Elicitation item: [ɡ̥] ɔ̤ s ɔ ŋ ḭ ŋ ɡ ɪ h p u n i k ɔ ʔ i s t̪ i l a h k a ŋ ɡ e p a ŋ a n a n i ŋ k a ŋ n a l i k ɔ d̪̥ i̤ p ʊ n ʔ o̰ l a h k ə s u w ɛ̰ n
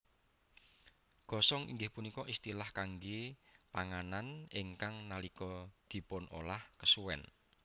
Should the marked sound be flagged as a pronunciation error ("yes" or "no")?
no